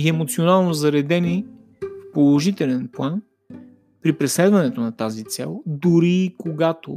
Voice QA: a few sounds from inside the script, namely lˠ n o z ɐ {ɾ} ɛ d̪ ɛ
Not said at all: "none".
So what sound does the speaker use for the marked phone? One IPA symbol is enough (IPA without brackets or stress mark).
ɾ